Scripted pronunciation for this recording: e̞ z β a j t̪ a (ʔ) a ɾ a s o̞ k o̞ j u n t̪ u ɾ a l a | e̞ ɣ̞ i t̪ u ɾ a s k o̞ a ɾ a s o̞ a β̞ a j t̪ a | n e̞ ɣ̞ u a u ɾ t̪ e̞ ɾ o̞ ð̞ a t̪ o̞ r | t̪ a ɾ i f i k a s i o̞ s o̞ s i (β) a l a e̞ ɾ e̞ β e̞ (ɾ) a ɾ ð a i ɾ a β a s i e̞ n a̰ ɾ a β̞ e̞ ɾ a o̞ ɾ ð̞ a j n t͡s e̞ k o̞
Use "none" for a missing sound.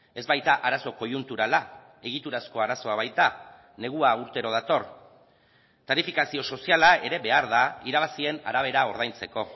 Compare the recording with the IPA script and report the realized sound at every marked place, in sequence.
ʔ, none, none

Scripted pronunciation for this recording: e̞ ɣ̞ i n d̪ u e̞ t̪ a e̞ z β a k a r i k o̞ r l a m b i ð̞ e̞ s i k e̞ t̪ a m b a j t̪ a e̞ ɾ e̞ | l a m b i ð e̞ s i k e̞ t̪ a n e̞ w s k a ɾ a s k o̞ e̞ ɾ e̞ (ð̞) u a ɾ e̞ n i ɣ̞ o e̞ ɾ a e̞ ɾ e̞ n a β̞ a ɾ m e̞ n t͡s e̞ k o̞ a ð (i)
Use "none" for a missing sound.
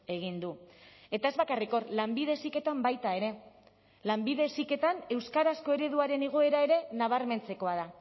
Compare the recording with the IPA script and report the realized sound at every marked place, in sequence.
ð̞, a

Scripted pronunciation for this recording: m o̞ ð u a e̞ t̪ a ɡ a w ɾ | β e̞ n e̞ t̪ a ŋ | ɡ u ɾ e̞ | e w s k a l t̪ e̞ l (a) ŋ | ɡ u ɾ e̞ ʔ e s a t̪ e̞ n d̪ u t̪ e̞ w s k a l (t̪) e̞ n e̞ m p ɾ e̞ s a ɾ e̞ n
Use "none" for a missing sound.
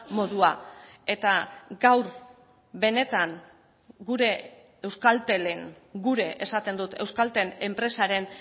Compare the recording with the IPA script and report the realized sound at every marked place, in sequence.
e, t̪

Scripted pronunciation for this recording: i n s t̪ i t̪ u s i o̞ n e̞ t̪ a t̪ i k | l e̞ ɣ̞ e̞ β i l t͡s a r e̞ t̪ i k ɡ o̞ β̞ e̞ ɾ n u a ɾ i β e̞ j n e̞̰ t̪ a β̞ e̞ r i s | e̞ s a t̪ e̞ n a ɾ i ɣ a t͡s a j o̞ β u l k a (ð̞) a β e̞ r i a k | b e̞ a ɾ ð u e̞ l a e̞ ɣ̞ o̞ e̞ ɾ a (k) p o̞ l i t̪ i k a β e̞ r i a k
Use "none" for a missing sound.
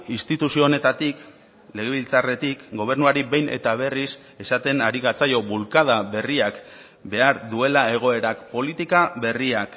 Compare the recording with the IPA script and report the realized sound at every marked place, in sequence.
ð̞, k

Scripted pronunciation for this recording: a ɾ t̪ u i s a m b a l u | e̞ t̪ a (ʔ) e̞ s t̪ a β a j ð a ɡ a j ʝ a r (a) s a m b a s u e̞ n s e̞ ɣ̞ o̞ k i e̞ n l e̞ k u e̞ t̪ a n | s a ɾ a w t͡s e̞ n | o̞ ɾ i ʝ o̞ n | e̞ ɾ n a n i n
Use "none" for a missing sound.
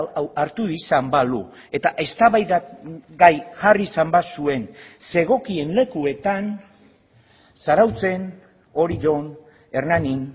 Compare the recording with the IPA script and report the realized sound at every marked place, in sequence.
ʔ, i

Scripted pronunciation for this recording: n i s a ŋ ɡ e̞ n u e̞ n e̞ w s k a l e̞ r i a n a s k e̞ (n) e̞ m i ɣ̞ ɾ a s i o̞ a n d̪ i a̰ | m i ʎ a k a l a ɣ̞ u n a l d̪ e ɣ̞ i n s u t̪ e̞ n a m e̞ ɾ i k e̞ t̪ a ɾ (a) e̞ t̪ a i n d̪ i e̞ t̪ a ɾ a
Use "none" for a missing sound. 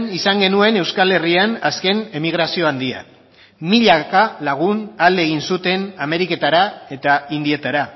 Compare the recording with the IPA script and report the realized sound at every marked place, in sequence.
n, a

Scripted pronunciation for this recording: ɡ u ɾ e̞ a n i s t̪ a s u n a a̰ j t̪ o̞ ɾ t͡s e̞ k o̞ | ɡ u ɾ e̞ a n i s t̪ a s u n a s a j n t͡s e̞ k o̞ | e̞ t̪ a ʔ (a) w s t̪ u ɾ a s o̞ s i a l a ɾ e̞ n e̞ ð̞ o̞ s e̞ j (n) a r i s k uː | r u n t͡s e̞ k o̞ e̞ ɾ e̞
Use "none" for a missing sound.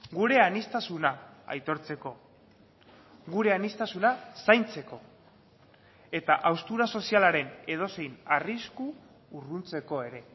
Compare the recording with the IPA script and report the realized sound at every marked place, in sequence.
a, n

